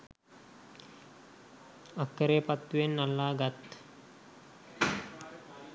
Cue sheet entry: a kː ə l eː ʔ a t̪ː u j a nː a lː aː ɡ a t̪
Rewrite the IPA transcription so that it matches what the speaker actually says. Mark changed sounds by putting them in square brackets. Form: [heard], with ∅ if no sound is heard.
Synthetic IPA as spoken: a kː ə [ɾ] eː [p] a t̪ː u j [e] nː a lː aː ɡ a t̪